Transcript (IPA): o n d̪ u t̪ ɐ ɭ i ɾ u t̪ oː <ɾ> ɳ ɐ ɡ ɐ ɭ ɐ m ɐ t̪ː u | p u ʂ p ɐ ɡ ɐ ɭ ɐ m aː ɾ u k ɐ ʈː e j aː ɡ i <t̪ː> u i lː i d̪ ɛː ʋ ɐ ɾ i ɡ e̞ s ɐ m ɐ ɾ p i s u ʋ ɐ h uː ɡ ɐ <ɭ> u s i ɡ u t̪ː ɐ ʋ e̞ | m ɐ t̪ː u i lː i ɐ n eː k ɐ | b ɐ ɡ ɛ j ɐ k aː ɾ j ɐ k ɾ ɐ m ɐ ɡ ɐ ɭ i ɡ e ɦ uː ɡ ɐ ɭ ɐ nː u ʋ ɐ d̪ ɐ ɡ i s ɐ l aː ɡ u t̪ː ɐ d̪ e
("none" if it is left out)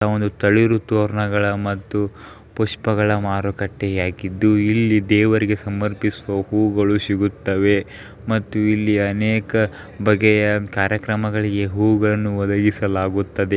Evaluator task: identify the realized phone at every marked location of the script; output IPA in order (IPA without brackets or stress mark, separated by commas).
ɾ, d̪ː, ɭ